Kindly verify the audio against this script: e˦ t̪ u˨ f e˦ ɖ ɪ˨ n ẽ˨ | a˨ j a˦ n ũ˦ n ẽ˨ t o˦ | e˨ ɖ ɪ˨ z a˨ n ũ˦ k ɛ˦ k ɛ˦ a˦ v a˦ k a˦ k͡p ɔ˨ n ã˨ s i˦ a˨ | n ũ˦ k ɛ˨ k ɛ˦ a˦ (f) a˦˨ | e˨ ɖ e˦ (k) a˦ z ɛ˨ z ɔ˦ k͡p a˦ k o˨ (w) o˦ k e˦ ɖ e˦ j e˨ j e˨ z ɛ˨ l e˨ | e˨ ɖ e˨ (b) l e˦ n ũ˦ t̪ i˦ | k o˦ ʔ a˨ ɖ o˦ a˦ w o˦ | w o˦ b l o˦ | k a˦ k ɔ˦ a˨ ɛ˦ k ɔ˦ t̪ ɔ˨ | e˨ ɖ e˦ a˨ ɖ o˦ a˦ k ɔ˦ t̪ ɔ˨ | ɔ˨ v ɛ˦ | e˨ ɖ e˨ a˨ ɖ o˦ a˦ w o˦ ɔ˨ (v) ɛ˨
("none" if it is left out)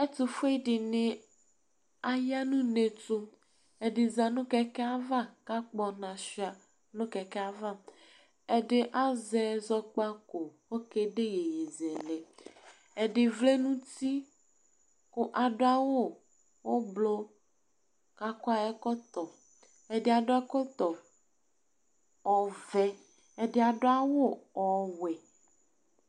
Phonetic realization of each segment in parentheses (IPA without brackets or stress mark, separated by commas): v, ʔ, w, v, w